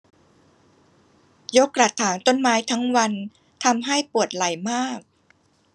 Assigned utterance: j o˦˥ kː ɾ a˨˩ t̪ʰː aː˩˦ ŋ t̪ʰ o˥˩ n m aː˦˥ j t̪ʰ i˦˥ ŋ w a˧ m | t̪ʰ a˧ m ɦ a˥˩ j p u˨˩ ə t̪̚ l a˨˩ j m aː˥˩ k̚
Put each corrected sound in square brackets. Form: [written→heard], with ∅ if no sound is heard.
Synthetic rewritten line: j o˦˥ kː ɾ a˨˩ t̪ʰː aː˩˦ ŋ [t̪ʰ→t̪] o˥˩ n m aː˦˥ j t̪ʰ [i˦˥→a˦˥] ŋ w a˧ [m→n] | t̪ʰ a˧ m ɦ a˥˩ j p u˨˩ ə t̪̚ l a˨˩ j m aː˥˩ k̚